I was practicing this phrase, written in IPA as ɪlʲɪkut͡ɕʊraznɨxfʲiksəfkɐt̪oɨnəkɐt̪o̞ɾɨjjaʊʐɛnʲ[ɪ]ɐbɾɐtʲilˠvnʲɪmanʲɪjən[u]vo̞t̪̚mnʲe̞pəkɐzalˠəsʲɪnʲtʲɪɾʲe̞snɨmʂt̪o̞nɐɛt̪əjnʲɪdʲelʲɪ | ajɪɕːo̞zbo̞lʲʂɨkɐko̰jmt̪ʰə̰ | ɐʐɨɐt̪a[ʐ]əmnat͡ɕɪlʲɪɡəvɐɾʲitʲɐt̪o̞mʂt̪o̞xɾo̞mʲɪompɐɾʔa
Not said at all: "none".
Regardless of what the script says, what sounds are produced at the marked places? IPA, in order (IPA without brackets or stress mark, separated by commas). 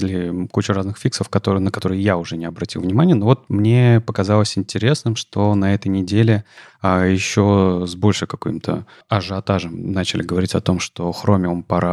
ɪ, o, ʐ